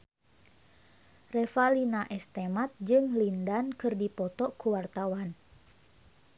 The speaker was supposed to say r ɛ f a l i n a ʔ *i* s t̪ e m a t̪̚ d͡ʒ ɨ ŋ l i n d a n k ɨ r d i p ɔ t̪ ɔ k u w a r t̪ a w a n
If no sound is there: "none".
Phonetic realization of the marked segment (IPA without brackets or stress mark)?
ɛ